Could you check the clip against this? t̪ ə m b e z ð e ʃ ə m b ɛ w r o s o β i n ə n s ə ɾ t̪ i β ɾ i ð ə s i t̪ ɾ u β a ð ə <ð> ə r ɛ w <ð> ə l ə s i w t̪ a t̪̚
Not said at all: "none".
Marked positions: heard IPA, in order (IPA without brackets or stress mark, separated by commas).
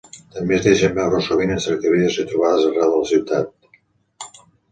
z, ð